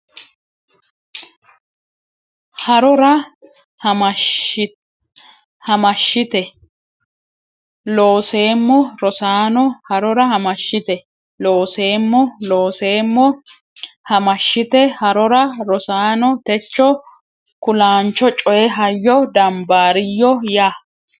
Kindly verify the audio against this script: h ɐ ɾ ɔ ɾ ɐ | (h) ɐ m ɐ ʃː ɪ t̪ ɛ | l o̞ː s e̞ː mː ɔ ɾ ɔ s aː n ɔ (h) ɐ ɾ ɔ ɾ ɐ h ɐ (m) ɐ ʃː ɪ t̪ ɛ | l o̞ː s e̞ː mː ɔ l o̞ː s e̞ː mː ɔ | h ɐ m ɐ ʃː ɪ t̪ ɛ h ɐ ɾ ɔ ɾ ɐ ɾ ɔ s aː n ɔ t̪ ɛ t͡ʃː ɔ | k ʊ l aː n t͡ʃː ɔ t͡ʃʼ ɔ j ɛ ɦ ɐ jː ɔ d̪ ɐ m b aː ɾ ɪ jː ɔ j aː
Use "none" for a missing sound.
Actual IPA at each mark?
h, h, m

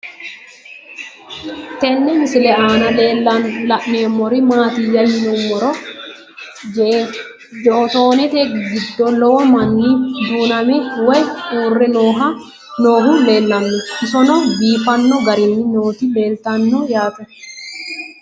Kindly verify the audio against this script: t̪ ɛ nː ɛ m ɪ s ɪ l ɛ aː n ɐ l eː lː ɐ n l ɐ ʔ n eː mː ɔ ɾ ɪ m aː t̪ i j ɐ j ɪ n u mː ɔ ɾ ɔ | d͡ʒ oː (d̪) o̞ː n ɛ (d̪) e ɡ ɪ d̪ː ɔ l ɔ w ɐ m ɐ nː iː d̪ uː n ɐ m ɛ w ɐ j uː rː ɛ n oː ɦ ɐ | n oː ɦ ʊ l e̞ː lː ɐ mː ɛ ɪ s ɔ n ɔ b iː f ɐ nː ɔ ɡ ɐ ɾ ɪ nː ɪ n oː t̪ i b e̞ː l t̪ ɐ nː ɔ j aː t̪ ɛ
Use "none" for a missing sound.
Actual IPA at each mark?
t̪, t̪

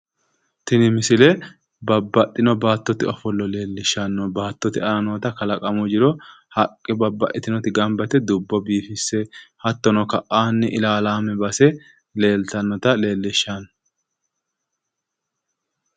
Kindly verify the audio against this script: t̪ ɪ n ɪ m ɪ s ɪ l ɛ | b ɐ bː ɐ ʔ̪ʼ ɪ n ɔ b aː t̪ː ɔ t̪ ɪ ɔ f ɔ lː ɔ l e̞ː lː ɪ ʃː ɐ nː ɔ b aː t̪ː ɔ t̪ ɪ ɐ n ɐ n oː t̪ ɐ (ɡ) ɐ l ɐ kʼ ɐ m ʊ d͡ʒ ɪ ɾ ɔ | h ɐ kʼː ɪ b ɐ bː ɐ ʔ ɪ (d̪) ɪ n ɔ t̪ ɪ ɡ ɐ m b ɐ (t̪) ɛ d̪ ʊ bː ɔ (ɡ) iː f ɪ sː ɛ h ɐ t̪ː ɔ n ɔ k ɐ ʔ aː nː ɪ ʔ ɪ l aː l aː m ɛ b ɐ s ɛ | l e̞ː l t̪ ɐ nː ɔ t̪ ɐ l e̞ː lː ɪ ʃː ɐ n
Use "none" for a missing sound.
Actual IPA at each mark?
k, t̪, t̪, b

